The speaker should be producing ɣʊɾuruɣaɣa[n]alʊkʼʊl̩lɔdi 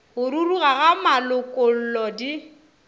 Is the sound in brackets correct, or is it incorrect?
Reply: incorrect